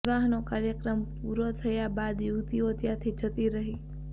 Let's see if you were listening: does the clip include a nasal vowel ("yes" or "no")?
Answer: no